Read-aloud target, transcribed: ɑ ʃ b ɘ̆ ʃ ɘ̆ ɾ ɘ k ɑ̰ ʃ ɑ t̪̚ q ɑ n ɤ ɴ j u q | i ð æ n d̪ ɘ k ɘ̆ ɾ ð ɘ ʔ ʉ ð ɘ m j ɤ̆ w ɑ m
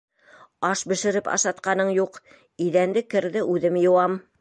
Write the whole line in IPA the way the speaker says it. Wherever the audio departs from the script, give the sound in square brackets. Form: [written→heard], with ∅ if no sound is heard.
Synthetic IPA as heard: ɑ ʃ b ɘ̆ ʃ ɘ̆ ɾ ɘ [k→p] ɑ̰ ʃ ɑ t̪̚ q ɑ n ɤ ɴ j u q | i ð æ n d̪ ɘ k ɘ̆ ɾ ð ɘ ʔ ʉ ð ɘ m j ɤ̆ w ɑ m